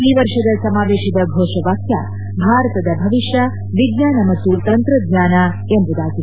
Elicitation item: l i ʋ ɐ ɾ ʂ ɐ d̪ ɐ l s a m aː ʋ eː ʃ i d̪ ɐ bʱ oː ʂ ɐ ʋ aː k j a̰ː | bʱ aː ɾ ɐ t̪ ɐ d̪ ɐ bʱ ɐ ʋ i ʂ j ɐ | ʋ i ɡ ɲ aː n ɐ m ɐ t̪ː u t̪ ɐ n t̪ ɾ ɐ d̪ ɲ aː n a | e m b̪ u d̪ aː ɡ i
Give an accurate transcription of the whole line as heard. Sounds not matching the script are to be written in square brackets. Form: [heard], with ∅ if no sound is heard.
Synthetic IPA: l i ʋ ɐ ɾ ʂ ɐ d̪ ɐ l s [ɐ] m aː ʋ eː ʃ i d̪ ɐ bʱ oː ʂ ɐ ʋ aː k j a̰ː | bʱ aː ɾ ɐ t̪ ɐ d̪ ɐ bʱ ɐ ʋ i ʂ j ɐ | ʋ i ɡ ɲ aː n ɐ m ɐ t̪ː u t̪ ɐ n t̪ ɾ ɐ d̪ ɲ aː n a | e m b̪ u d̪ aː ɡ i